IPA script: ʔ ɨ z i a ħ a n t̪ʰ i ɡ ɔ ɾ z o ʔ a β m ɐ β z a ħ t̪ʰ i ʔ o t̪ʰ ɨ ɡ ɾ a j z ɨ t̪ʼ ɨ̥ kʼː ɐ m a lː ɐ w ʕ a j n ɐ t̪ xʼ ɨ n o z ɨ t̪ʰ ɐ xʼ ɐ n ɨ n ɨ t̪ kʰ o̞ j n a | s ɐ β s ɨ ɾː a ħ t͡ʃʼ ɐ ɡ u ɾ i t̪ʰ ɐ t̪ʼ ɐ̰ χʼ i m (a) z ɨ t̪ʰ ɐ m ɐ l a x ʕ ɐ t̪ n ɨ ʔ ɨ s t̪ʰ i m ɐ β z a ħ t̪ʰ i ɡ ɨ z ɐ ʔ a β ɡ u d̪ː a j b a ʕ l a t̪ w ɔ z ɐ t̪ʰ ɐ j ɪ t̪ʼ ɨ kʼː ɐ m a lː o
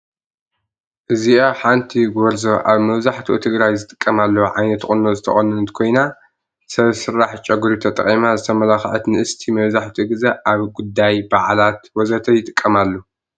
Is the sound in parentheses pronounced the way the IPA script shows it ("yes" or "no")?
yes